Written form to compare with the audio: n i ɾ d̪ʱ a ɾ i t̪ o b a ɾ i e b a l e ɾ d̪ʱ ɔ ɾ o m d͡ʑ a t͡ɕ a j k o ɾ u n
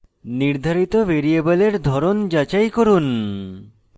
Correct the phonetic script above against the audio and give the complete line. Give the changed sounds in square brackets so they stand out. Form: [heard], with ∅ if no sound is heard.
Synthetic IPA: n i ɾ d̪ʱ a ɾ i t̪ o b [e] ɾ i e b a l e ɾ d̪ʱ ɔ ɾ o [n] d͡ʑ a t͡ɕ a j k o ɾ u n

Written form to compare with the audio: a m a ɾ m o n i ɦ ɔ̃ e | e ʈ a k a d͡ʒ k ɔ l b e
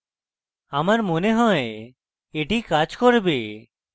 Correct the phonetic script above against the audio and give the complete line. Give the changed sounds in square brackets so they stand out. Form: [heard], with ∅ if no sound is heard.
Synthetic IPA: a m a ɾ m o n [e] ɦ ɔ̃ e | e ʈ [i] k a d͡ʒ k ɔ [ɾ] b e

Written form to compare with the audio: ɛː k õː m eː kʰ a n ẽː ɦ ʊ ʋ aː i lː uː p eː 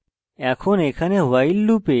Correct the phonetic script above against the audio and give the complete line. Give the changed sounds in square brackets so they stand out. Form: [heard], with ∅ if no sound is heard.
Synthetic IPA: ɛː [kʰ] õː [n] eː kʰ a n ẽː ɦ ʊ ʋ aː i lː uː p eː

